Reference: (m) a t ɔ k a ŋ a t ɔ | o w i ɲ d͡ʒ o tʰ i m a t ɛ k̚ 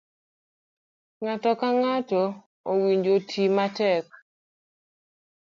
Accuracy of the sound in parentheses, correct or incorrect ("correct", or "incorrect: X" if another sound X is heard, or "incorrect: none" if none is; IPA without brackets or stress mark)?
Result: incorrect: ŋ